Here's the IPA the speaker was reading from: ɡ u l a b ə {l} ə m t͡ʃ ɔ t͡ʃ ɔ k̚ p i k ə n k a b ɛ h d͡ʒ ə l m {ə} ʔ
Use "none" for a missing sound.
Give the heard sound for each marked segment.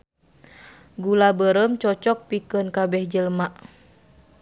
ɾ, a

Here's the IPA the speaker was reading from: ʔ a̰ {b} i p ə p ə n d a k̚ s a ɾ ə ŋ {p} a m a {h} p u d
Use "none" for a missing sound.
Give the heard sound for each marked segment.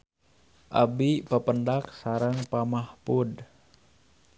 b, p, h

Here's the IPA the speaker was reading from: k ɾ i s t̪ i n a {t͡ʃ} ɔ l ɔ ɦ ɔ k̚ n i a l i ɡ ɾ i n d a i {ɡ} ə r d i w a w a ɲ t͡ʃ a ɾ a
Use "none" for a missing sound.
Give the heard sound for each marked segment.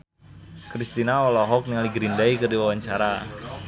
none, k

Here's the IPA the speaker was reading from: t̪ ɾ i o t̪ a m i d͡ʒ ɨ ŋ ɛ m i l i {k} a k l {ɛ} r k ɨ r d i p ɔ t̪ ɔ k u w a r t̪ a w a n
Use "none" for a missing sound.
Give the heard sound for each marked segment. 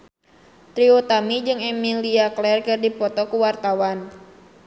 none, ɛ

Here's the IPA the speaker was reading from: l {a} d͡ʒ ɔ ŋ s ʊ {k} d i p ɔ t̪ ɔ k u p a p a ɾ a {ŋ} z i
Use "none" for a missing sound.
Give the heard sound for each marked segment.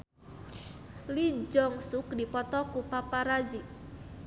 i, k, none

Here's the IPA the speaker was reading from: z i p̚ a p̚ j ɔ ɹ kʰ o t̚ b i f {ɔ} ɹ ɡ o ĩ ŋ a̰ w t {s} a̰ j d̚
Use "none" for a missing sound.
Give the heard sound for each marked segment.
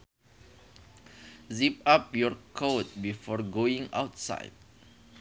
ɔ, s

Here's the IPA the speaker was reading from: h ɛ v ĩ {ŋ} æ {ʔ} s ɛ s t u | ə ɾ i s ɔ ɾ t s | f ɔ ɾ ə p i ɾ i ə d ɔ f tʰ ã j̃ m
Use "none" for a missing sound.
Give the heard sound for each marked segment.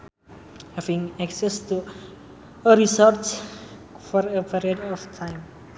ŋ, k

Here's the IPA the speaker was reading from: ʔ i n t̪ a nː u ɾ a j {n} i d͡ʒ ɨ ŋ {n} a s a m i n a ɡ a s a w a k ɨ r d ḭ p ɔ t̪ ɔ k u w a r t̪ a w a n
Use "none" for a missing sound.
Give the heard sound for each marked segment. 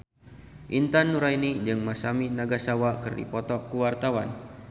n, m

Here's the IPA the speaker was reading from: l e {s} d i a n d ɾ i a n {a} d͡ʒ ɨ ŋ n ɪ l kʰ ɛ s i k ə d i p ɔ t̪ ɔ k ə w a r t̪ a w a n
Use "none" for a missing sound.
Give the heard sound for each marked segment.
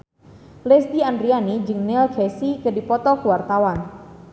s, i

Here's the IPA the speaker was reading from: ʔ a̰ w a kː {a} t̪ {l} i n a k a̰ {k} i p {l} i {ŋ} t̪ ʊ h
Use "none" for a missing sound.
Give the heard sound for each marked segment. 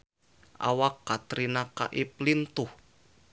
a, ɾ, ʔ, l, n

